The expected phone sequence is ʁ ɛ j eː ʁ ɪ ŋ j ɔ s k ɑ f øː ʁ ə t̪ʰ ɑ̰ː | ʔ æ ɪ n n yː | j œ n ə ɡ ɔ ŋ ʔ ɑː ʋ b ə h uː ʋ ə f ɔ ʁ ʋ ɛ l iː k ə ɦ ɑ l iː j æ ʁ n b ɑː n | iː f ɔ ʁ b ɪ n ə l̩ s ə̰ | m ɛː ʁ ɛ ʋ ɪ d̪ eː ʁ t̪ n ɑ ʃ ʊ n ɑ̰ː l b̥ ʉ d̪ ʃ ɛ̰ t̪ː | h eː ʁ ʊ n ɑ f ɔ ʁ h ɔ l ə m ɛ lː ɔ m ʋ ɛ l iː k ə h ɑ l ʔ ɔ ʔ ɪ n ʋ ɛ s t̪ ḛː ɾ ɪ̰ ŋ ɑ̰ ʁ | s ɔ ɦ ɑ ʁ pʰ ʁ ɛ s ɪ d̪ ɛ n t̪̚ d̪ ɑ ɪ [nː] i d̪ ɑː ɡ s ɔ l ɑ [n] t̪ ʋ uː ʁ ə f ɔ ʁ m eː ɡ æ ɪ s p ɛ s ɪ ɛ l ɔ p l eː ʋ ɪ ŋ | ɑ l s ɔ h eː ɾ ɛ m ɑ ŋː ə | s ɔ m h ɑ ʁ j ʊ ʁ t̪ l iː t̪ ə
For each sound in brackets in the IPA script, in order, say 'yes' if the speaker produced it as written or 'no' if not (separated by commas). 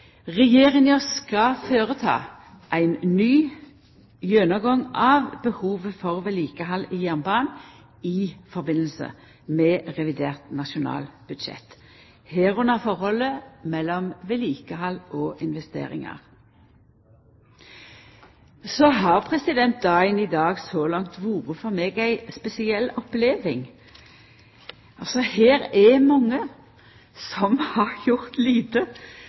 no, no